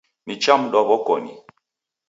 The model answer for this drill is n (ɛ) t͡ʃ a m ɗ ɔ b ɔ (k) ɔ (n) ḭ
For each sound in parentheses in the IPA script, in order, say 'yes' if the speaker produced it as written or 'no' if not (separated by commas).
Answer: no, yes, yes